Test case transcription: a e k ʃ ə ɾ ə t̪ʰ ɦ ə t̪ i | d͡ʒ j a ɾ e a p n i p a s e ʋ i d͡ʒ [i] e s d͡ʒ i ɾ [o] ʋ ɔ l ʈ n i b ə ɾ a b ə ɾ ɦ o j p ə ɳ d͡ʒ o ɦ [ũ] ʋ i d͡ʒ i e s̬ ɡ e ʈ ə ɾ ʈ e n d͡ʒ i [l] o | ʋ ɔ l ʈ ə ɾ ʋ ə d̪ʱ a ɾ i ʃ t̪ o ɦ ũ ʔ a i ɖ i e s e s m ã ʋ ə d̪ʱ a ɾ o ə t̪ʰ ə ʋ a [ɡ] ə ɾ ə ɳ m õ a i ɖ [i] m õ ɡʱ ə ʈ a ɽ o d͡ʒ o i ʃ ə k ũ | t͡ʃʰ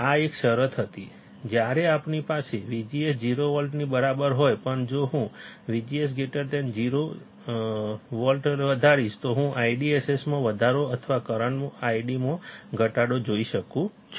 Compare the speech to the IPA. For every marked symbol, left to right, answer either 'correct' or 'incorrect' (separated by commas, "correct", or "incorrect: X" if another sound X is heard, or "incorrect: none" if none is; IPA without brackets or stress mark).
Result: correct, correct, correct, incorrect: ɾ, incorrect: k, correct